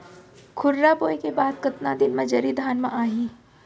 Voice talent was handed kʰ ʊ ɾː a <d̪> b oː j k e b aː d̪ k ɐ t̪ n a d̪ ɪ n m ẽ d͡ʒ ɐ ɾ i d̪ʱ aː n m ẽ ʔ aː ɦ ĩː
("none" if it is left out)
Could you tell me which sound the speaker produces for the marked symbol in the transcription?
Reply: none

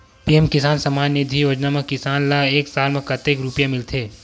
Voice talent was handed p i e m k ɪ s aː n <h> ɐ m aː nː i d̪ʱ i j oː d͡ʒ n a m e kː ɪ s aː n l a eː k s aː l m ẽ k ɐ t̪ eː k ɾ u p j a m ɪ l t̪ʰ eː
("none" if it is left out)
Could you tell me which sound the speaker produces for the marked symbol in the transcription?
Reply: s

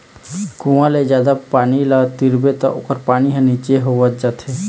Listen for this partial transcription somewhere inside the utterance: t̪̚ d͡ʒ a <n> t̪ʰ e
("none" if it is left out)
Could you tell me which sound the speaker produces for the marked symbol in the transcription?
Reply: none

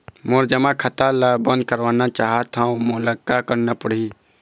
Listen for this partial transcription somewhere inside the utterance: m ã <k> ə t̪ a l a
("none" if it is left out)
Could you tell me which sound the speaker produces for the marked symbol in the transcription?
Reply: kʰ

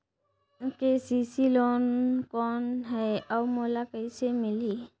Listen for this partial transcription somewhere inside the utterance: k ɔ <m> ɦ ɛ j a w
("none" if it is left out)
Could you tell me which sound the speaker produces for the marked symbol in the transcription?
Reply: n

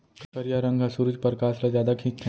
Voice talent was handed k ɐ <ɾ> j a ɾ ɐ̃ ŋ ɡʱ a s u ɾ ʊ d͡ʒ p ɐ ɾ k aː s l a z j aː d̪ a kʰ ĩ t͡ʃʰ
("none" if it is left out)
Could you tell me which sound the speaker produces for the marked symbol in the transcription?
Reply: ɾ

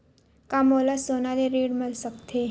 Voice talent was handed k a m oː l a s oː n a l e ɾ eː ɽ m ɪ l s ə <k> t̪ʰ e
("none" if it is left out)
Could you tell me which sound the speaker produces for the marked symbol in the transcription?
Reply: k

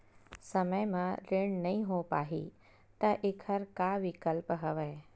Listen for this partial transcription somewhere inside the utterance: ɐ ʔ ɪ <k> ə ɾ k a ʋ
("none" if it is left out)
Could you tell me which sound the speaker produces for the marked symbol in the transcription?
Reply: kʰ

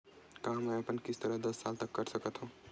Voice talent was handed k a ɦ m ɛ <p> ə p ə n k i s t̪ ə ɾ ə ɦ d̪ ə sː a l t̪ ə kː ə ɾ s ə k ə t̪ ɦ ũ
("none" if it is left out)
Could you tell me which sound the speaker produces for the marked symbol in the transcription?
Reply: none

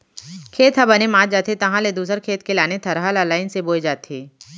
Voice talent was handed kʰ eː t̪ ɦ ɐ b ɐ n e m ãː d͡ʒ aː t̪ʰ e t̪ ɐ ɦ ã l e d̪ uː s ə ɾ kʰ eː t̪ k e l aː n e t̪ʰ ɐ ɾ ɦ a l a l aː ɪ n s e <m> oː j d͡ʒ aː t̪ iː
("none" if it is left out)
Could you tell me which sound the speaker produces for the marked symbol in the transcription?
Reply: b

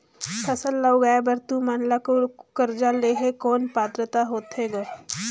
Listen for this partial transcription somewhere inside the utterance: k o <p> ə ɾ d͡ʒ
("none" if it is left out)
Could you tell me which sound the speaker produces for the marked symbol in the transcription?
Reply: k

